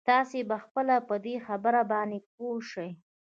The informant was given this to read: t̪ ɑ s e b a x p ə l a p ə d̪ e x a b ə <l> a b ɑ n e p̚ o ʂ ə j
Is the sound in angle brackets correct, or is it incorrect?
incorrect: ɾ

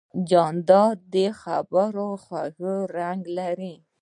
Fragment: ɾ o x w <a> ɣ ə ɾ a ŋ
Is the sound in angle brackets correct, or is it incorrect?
correct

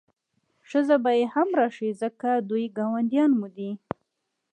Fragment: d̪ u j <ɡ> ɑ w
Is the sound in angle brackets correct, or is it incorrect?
correct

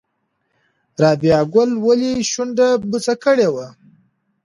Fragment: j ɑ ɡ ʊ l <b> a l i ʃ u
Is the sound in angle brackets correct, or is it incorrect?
incorrect: w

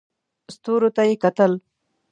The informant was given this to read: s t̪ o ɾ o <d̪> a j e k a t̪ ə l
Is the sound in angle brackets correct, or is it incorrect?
incorrect: t̪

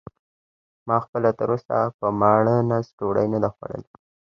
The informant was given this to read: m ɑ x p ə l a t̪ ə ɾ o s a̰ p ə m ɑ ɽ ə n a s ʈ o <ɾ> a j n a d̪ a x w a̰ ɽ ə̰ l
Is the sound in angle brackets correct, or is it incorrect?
incorrect: ɽ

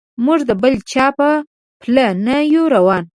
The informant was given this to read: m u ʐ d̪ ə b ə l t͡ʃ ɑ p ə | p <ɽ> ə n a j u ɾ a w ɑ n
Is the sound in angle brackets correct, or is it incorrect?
incorrect: l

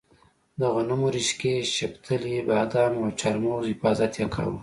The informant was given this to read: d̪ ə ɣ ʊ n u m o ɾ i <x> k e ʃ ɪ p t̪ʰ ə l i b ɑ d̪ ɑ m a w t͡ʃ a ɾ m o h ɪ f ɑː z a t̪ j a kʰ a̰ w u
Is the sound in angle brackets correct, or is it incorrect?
incorrect: ʃ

